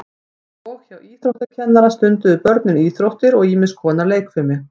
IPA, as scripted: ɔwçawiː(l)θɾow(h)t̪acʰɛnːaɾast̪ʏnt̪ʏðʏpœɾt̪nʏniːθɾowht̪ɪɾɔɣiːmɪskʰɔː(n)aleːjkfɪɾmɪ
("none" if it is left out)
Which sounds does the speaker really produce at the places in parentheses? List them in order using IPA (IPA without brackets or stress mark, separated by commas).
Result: none, h, n